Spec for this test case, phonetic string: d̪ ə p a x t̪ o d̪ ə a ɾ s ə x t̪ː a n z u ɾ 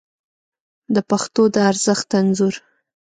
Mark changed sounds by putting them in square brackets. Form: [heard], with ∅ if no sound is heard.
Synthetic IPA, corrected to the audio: d̪ ə p a x t̪ o d̪ ə a ɾ [z] ə x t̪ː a n z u ɾ